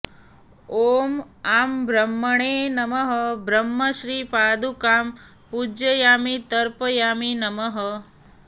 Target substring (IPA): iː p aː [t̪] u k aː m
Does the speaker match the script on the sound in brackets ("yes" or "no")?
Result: no